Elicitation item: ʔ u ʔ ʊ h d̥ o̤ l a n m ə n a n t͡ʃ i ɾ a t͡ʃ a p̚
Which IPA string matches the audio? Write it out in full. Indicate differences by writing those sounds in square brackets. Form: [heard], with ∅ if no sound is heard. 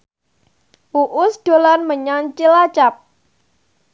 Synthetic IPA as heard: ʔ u ʔ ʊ [s] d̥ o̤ l a n m ə [ɲ] a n t͡ʃ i [l] a t͡ʃ a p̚